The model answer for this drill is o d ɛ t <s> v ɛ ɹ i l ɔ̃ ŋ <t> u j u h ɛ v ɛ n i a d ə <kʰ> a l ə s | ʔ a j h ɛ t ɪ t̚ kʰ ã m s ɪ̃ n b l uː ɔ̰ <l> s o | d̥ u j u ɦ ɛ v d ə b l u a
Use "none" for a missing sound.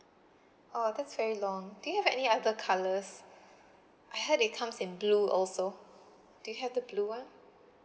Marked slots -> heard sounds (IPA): s, d, kʰ, l

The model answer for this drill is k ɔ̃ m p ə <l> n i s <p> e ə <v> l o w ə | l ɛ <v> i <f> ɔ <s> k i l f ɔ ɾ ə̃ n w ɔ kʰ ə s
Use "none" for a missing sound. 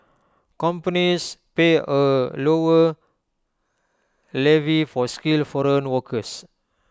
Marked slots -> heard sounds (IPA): none, p, none, v, f, s

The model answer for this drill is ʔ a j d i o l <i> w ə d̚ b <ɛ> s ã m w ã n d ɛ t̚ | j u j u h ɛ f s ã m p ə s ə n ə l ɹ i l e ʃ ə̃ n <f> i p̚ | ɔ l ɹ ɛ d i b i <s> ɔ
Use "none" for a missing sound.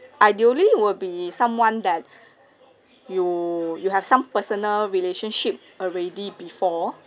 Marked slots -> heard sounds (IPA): i, i, ʃ, f

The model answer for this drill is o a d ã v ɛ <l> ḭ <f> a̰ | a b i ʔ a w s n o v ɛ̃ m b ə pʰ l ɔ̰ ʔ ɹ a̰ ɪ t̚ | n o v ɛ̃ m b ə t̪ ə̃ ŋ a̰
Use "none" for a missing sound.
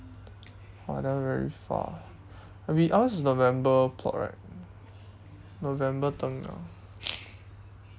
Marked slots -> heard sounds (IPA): ɹ, f

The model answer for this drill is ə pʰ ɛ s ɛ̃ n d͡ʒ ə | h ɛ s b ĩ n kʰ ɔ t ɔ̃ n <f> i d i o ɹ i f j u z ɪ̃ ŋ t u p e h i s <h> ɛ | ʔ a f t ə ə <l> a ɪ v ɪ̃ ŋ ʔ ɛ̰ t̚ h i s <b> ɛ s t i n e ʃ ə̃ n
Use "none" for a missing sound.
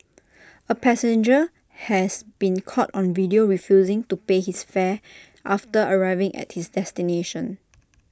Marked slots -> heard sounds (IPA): v, f, ɹ, d

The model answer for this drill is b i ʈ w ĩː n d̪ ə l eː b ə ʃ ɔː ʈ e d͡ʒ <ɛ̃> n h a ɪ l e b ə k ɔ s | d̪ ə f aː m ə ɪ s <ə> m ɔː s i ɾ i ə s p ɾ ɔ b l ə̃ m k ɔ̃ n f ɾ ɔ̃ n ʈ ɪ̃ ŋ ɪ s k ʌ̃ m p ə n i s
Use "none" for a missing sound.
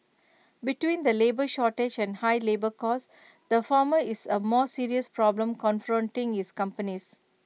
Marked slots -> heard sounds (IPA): ɛ̃, ə

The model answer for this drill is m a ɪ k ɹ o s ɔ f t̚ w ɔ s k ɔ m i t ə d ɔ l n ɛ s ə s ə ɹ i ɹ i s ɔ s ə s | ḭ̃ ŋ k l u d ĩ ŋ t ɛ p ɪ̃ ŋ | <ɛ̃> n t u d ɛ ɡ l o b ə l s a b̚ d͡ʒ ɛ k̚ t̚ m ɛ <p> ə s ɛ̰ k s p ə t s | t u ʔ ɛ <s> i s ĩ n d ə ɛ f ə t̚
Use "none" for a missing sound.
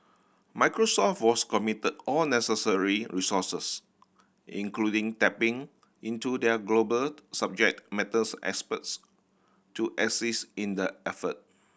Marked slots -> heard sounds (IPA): ĩ, t, s

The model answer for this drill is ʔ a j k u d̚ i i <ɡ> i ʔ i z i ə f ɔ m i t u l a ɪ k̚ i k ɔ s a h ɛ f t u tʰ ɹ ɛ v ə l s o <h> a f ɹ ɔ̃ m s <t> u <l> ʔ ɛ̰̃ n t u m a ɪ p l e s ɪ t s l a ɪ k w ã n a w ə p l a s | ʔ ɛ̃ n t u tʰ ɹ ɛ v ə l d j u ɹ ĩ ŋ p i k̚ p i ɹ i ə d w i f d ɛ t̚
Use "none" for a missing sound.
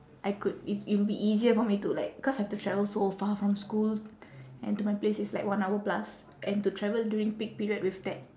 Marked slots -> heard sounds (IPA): b, f, k, l

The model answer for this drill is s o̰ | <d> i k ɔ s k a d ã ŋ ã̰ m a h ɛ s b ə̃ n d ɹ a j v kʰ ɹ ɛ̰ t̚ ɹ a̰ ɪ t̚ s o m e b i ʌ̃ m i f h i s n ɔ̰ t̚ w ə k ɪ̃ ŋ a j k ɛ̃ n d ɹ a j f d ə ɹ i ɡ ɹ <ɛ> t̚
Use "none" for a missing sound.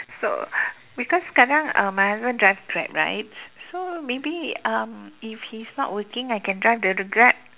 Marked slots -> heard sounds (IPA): b, ɛ

